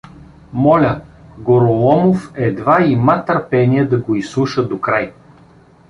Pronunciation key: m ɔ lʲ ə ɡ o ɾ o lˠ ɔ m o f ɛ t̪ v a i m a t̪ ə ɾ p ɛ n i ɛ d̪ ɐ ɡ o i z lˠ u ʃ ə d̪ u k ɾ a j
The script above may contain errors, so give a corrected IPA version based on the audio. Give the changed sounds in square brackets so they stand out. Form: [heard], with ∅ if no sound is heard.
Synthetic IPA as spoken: m ɔ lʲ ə ɡ o ɾ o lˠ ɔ m o f ɛ [d̪] v a i m a t̪ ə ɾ p ɛ n i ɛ d̪ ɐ ɡ o i [s] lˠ u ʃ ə d̪ [o] k ɾ a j